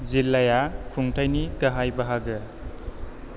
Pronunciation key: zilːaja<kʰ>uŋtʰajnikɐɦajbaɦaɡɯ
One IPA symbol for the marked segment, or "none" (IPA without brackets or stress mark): kʰ